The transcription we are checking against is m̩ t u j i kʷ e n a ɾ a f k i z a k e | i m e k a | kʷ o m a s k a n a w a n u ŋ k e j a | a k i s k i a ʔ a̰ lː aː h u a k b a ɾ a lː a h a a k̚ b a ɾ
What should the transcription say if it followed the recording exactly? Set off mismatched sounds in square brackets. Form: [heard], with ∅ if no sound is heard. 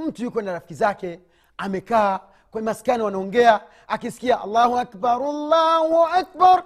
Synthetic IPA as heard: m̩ t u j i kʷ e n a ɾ a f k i z a k e | [a] m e k a | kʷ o m a s k a n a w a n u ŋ [ɡ] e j a | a k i s k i a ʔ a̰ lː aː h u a k b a ɾ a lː a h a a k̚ b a ɾ